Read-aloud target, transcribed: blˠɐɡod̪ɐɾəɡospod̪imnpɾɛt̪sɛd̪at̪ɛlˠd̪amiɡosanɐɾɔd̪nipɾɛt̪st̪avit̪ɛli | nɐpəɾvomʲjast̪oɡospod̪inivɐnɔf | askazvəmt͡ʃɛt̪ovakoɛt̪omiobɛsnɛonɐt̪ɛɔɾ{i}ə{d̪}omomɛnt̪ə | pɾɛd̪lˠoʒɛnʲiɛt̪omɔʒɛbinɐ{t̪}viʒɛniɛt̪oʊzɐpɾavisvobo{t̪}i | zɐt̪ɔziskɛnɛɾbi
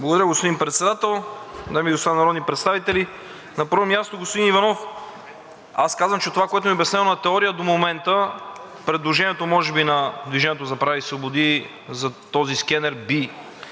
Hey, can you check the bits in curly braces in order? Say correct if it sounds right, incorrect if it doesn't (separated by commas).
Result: correct, correct, incorrect, incorrect